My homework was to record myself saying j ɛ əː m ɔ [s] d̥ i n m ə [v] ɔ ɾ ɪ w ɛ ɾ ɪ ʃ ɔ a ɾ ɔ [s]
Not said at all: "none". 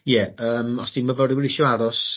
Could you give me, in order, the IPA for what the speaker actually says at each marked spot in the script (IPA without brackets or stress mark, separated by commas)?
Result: s, v, s